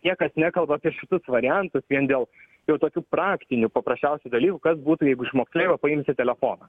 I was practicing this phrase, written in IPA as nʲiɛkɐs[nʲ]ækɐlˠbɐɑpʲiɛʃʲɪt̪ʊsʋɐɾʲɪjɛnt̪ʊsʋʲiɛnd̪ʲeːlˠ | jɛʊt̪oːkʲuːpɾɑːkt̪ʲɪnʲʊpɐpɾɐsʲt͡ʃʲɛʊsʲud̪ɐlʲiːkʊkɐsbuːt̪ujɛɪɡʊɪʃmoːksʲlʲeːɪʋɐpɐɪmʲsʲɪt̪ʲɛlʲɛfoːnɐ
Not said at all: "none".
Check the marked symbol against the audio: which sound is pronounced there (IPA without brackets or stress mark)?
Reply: nʲ